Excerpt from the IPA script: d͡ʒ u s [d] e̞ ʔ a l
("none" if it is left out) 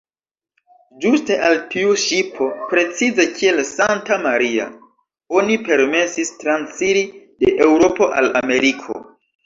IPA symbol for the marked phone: t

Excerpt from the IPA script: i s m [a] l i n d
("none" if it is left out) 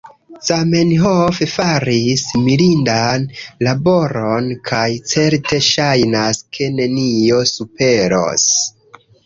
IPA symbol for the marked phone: i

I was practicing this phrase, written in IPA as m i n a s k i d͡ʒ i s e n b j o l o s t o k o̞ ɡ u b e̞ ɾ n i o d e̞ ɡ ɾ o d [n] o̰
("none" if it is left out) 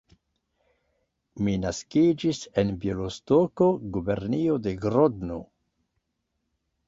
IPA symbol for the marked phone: n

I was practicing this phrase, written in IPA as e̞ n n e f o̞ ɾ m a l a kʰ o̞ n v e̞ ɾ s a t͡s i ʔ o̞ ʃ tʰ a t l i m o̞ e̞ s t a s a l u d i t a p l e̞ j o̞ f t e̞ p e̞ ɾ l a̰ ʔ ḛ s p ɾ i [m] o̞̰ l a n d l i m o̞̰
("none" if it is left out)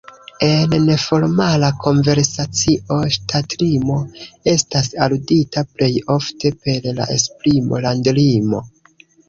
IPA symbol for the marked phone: m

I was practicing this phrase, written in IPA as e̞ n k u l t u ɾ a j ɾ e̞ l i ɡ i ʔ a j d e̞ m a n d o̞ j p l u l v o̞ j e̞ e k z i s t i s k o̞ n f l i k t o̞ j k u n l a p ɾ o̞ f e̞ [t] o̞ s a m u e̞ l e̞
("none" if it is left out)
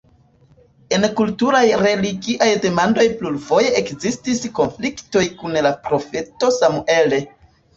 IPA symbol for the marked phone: t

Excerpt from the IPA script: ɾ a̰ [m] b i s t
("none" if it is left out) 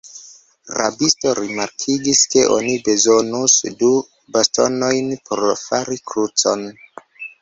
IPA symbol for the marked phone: none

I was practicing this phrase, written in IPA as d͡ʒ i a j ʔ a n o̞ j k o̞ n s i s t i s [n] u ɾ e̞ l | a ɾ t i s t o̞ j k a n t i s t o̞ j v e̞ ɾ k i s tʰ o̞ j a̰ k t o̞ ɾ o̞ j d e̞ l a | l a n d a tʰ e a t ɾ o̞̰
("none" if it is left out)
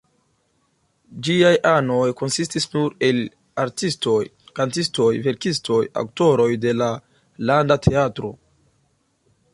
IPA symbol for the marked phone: n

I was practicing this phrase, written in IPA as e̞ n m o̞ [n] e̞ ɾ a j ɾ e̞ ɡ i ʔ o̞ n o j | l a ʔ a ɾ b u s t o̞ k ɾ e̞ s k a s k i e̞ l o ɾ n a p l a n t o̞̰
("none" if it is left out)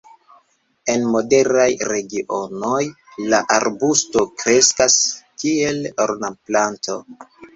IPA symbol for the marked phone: d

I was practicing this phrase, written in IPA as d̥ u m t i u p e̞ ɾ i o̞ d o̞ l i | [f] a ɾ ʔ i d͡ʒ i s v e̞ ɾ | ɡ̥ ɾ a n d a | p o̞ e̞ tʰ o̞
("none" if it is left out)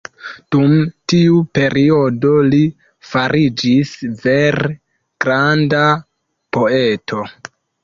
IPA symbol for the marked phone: f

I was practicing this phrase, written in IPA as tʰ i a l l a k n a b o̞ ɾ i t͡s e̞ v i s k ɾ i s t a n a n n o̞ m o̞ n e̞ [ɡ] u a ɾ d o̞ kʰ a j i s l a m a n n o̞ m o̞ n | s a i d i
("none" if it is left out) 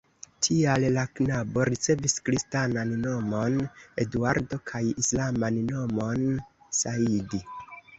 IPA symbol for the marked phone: d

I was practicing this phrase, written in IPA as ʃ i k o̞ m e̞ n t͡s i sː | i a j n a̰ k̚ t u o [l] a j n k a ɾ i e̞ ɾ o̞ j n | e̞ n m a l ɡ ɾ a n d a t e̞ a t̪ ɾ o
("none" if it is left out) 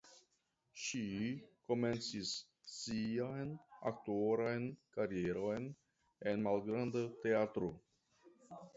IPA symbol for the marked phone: ɾ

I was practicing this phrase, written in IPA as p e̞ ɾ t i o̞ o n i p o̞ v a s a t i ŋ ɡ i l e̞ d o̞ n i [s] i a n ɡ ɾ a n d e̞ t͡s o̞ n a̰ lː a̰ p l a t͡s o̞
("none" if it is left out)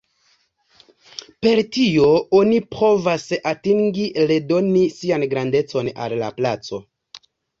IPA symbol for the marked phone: s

